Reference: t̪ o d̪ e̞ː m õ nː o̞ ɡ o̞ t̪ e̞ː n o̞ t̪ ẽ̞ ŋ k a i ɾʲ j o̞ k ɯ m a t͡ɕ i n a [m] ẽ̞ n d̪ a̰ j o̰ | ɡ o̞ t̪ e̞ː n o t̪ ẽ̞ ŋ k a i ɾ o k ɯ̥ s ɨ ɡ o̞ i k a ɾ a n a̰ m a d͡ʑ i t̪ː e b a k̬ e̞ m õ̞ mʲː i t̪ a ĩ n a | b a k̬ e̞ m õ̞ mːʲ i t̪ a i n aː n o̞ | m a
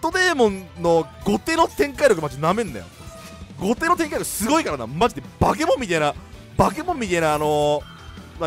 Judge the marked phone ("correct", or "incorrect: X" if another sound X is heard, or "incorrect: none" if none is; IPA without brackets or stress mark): correct